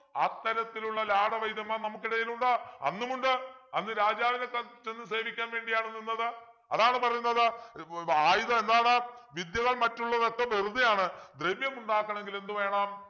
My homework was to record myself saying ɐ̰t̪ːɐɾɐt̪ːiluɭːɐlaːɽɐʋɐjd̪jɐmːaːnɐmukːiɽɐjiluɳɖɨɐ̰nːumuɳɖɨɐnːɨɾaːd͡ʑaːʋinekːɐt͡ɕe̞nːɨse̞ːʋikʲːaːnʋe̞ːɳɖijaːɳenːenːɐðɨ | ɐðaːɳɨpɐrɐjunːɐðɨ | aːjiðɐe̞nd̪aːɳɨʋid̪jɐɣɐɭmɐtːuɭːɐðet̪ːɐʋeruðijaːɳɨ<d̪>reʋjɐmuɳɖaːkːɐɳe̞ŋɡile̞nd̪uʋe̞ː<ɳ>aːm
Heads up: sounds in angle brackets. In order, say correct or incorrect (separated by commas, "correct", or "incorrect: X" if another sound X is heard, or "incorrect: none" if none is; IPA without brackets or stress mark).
correct, correct